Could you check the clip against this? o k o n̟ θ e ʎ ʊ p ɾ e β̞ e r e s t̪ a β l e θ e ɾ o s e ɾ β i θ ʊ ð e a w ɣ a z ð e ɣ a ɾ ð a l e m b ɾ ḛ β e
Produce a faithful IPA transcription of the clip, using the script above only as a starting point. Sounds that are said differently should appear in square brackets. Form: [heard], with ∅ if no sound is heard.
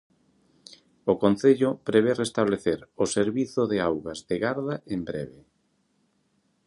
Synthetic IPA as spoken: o k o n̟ θ e ʎ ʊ p ɾ e β̞ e r e s t̪ a β l e θ e ɾ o s e ɾ β i θ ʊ ð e a w ɣ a z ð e ɣ a ɾ ð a [∅] e m b ɾ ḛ β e